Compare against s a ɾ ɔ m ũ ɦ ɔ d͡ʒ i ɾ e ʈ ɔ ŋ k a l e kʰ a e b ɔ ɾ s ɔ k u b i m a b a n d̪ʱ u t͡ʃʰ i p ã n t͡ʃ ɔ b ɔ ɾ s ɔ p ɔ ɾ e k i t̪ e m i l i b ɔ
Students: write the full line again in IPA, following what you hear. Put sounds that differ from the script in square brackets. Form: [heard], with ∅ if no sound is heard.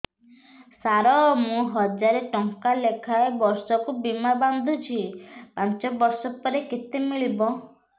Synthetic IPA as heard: s a ɾ ɔ m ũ ɦ ɔ d͡ʒ [a] ɾ e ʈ ɔ ŋ k a l e kʰ a e b ɔ ɾ s ɔ k u b i m a b a n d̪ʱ u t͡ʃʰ i p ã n t͡ʃ ɔ b ɔ ɾ s ɔ p ɔ ɾ e k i t̪ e m i [ɭ] i b ɔ